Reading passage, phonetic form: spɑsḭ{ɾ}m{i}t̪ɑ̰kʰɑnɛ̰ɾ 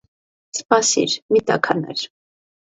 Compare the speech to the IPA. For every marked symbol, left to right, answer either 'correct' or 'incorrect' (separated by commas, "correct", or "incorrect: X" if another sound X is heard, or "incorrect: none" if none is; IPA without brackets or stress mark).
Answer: correct, correct